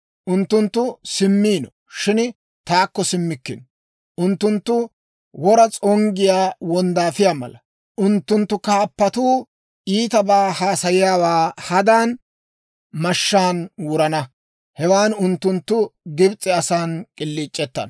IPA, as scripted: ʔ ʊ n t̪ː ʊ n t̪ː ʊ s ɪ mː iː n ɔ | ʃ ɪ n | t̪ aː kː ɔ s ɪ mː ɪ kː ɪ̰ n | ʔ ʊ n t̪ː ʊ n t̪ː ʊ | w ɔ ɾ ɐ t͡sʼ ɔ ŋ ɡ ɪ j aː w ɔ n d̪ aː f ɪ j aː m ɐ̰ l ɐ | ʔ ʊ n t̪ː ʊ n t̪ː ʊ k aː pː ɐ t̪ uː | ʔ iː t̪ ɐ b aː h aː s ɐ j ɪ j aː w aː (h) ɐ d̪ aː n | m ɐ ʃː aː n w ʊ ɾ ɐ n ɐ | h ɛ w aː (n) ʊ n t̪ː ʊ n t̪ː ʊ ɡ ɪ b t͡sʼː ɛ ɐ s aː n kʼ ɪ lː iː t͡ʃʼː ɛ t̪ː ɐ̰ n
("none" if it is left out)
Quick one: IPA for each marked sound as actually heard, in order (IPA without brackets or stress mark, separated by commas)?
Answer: h, n